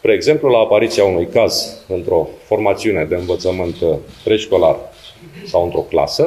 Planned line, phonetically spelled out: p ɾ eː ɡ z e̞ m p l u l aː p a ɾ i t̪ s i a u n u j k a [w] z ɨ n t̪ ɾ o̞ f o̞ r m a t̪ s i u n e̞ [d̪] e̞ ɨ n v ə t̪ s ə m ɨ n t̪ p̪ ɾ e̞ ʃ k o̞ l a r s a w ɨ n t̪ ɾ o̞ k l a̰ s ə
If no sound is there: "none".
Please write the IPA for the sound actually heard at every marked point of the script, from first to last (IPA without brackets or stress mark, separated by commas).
none, d̪